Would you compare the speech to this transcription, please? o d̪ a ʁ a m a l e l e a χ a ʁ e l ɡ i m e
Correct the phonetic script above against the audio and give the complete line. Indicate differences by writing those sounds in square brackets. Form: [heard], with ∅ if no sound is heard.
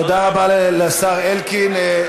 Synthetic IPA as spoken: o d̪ a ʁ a [b] a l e l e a [s] a ʁ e l [k] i [n] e